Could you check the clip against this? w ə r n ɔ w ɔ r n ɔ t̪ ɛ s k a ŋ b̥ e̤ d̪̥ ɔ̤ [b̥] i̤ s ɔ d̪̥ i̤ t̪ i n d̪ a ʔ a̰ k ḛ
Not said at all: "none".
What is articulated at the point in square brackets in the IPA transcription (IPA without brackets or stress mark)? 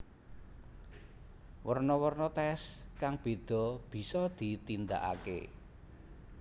b̥